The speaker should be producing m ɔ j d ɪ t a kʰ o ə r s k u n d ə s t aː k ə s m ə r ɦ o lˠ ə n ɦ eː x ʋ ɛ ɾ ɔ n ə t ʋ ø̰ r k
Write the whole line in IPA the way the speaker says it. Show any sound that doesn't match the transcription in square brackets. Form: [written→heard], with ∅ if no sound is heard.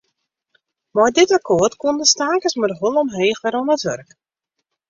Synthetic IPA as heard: m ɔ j d ɪ t a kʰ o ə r [s→t] k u n d ə s t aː k ə s m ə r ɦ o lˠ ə [n→m] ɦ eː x ʋ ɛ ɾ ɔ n ə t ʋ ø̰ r k